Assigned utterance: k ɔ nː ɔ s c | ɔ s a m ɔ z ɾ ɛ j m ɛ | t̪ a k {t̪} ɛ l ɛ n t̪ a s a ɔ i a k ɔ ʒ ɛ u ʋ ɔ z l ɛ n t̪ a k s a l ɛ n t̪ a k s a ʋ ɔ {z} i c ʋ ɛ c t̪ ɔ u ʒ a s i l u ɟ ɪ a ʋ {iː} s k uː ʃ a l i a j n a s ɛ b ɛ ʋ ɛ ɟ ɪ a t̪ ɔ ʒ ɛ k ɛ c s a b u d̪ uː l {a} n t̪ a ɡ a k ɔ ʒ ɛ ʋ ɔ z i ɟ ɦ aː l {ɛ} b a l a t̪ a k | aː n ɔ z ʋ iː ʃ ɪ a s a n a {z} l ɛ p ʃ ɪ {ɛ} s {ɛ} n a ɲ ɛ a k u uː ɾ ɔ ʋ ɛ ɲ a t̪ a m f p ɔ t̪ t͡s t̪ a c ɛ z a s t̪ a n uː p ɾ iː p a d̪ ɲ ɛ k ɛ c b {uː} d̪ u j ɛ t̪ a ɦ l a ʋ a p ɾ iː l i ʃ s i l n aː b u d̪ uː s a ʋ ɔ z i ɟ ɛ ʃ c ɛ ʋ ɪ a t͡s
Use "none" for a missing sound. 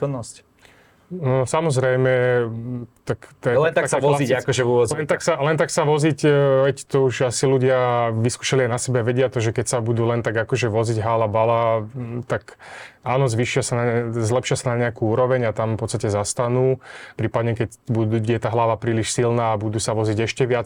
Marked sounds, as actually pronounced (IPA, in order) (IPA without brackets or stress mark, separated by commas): t̪, z, i, ɛ, a, z, a, a, u